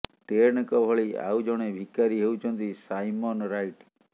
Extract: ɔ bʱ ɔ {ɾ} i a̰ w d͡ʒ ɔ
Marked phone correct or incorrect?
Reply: incorrect: ɭ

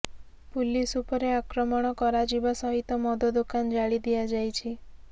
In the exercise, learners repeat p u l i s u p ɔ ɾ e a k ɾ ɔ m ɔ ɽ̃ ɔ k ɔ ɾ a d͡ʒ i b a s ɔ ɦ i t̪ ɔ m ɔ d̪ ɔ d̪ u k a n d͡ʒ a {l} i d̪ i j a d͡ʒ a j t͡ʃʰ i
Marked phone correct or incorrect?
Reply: incorrect: ɭ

